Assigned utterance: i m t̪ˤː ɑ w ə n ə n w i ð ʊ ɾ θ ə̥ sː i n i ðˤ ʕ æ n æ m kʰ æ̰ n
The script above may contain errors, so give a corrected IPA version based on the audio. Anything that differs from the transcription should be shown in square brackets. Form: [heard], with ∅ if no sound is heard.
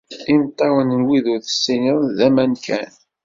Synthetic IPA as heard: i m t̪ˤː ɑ w ə n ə n w i ð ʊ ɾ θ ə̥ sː i n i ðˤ [ð] æ [m] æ [n] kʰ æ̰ n